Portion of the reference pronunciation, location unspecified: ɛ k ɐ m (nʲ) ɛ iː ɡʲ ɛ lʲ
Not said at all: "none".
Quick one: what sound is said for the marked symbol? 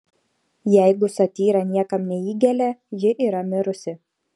nʲ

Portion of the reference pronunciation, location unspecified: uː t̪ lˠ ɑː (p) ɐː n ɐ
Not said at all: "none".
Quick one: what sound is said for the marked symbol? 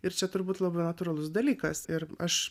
b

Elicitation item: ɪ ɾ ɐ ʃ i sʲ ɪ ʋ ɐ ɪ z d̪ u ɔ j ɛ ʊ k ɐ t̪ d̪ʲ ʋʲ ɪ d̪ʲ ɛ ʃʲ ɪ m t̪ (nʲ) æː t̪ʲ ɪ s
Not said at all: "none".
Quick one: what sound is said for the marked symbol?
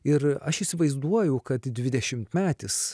mʲ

